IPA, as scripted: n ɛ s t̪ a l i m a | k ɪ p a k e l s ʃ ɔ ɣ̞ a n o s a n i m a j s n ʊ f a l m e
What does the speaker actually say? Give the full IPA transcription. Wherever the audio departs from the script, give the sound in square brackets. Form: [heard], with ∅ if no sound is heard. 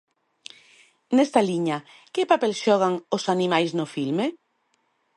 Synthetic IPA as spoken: n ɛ s t̪ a l i [ɲ] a | k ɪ p a [p] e l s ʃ ɔ ɣ̞ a [ŋ] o s a n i m a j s n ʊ f [i] l m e